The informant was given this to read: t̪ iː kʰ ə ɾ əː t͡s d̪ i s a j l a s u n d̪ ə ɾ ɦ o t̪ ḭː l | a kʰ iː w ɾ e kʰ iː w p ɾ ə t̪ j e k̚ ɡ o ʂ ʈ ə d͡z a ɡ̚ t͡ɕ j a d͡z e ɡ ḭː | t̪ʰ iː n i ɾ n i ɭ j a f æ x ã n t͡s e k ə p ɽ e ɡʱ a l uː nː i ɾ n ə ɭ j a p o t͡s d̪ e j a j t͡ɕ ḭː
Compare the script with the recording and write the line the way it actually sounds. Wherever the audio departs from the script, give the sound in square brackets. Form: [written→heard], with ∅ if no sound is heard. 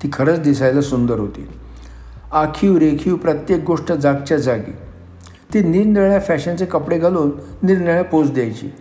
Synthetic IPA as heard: t̪ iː kʰ ə ɾ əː t͡s d̪ i s a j l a s u n d̪ ə ɾ ɦ o t̪ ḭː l | a kʰ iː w ɾ e kʰ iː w p ɾ ə t̪ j e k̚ ɡ o ʂ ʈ ə d͡z a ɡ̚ t͡ɕ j a d͡z [e→a] ɡ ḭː | [t̪ʰ→t̪] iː n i ɾ n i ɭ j a f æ [x→ɕ] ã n t͡s e k ə p ɽ e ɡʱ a l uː nː i ɾ n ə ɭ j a p o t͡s d̪ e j a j t͡ɕ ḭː